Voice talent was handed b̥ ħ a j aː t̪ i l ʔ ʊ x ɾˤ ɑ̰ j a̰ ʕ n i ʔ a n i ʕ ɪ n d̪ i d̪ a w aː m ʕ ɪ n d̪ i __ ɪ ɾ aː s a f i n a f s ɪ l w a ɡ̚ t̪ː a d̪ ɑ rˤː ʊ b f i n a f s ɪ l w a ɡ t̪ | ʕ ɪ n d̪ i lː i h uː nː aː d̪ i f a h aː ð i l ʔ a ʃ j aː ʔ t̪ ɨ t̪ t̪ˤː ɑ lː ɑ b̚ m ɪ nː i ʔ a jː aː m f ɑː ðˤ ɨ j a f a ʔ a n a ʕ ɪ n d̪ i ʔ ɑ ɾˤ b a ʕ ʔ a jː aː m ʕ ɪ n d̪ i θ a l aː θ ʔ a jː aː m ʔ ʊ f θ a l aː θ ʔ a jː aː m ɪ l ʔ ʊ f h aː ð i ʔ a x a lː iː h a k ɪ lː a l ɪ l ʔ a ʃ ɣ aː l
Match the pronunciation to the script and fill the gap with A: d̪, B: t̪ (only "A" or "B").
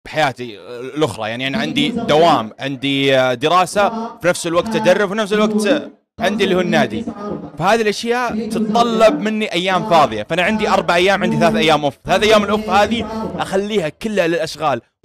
A